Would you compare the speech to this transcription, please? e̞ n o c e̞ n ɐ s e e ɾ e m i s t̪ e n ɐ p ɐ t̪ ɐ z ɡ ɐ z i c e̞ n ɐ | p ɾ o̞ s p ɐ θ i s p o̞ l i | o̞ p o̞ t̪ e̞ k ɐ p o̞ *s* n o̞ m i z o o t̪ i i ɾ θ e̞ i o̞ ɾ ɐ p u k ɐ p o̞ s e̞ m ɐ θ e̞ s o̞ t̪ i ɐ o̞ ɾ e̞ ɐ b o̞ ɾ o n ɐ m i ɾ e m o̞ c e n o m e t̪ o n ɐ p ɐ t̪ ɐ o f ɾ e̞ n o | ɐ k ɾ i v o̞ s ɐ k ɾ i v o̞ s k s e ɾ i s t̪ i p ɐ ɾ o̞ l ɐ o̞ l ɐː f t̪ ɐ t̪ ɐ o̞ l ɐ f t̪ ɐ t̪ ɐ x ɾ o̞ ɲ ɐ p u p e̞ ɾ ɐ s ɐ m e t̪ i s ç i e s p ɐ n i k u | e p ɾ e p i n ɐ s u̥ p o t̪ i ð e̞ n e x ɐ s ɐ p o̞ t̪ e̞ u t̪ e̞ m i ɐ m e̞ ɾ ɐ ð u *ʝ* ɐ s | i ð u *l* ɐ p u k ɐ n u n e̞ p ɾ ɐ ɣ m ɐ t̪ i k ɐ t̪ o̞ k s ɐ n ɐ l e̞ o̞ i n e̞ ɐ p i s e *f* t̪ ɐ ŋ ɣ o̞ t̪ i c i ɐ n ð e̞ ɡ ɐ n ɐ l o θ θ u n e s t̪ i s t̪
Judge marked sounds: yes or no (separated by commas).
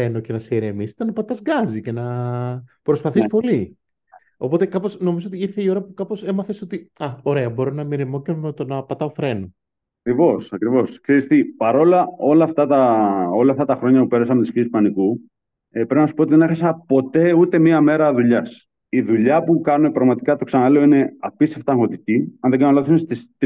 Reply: yes, no, no, yes